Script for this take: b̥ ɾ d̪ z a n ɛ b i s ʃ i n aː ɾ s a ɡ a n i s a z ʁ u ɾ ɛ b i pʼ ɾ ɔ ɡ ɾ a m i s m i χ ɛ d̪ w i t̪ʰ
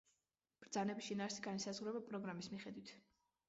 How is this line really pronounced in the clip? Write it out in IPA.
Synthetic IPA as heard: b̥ ɾ d̪ z a n ɛ b i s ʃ i n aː ɾ s i ɡ a n i s a z ʁ u ɾ ɛ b a pʼ ɾ ɔ ɡ ɾ a m i s m i χ ɛ d̪ w i t̪ʰ

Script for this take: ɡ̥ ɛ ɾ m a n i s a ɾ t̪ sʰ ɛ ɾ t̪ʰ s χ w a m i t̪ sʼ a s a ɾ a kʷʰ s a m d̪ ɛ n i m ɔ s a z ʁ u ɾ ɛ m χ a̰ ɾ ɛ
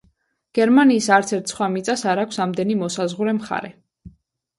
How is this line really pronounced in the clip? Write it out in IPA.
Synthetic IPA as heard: ɡ̥ ɛ ɾ m a n iː s a ɾ t̪ sʰ ɛ ɾ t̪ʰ s χ w a m i t̪ sʼ a s a ɾ a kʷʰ s a m d̪ ɛ n i m ɔ s a z ʁ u ɾ ɛ m χ a̰ ɾ ɛ

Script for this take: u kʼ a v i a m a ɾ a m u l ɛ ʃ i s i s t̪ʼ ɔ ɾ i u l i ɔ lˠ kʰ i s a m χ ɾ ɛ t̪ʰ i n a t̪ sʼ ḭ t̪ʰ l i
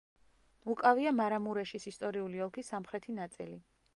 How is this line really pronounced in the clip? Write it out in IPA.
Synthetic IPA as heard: u kʼ a v i a m a ɾ a m u ɾ ɛ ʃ i s i s t̪ʼ ɔ ɾ i u l i ɔ lˠ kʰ i s a m χ ɾ ɛ t̪ʰ i n a t̪ sʼ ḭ l i

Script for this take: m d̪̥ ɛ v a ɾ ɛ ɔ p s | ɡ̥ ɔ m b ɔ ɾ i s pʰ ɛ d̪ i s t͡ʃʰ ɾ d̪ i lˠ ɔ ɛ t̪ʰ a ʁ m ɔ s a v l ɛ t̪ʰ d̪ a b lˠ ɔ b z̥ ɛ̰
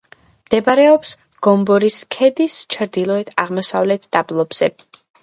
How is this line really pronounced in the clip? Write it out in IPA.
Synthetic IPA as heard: m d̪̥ ɛ b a ɾ ɛ ɔ p s | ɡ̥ ɔ m b ɔ ɾ i s kʰ ɛ d̪ i s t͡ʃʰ ɾ d̪ i lˠ ɔ ɛ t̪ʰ a ʁ m ɔ s a v l ɛ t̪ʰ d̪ a b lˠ ɔ b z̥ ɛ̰

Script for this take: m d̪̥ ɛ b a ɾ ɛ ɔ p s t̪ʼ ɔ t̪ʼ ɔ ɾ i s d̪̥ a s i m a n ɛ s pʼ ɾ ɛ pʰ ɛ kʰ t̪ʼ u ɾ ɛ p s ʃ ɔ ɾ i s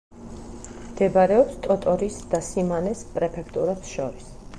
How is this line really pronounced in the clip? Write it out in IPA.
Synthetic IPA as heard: m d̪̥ ɛ b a ɾ ɛ ɔ p s t̪ʼ ɔ t̪ʼ ɔ ɾ i s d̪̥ a s i m a n ɛ s pʼ ɾ ɛ pʰ ɛ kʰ t̪ʼ u ɾ ɛ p s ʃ ɔ ɾ i s

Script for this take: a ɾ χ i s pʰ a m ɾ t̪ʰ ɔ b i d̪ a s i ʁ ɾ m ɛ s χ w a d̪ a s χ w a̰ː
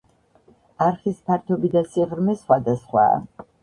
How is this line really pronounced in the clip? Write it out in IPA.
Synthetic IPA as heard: a ɾ χ i s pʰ a ɾ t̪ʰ ɔ b i d̪ a s i ʁ ɾ m ɛ s χ w a d̪ a s χ w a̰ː

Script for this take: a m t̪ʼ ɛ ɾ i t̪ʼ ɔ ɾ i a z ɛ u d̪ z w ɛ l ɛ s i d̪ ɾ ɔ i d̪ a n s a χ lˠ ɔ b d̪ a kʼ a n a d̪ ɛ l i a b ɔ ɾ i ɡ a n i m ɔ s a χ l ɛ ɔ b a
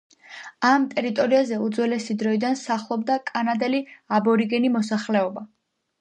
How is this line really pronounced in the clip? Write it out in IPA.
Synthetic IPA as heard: a m t̪ʼ ɛ ɾ i t̪ʼ ɔ ɾ i a z ɛ u d̪ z w ɛ l ɛ s i d̪ ɾ ɔ i d̪ a n s a χ lˠ ɔ b d̪ a kʼ a n a d̪ ɛ l i a b ɔ ɾ i ɡ ɛ n i m ɔ s a χ l ɛ ɔ b a

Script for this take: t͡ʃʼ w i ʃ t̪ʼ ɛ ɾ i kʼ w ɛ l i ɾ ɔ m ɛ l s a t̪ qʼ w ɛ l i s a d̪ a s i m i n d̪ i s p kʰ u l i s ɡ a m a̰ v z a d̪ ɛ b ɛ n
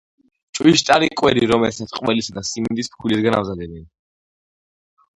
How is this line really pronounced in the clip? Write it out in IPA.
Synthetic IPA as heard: t͡ʃʼ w i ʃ t̪ʼ a ɾ i kʼ w ɛ ɾ i ɾ ɔ m ɛ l s a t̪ qʼ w ɛ l i s a d̪ a s i m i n d̪ i s p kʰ u l i s ɡ a n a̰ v z a d̪ ɛ b ɛ n

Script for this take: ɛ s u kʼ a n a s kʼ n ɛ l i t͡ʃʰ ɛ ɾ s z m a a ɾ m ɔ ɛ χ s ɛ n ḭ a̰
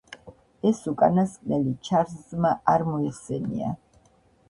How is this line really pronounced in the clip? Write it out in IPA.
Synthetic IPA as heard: ɛ s u kʼ a n a s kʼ n ɛ l i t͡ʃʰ a ɾ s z m a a ɾ m ɔ ɛ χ s ɛ n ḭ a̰

